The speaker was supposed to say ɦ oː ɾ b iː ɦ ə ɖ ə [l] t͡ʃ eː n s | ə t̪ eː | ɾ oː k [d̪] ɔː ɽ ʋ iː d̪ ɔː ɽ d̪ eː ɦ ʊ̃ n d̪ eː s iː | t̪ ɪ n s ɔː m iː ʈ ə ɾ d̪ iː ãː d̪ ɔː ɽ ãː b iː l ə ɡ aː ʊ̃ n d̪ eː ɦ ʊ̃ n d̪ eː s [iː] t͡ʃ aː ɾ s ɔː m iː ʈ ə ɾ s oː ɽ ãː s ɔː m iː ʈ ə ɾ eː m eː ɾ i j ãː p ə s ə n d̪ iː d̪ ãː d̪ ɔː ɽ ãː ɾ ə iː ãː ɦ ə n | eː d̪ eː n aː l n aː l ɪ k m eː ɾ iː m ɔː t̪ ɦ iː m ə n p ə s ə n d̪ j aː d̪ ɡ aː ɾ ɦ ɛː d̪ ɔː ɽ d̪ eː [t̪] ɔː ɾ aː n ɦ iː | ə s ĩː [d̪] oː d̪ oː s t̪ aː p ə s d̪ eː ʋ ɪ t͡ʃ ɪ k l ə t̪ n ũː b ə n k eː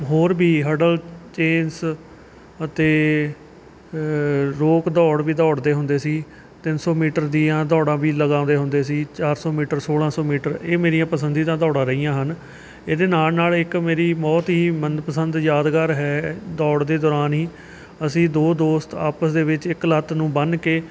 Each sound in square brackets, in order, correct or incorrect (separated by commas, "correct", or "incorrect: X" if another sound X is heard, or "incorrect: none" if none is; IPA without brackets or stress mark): correct, correct, correct, incorrect: d̪, correct